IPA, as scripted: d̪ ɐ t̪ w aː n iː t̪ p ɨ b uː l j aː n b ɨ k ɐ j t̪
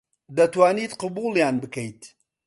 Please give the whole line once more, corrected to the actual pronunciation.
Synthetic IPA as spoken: d̪ ɐ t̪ w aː n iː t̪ q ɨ b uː l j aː n b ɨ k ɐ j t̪